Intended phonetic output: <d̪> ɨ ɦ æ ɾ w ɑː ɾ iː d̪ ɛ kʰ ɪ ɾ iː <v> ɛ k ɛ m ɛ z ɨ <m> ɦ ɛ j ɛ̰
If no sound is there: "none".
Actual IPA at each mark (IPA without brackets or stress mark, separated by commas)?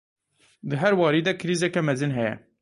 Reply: d̪, z, n